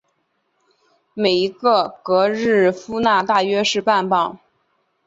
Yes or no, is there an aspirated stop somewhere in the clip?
no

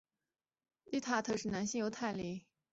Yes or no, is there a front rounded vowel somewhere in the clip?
no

